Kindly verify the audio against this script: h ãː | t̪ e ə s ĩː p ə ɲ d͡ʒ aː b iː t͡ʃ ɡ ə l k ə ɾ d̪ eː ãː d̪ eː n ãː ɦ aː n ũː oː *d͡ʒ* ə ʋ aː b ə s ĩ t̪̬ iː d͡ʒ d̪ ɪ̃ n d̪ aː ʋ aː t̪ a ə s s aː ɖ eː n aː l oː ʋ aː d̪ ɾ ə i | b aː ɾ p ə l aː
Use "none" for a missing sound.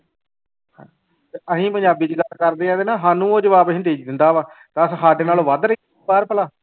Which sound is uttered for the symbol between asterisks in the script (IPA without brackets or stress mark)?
d͡ʒ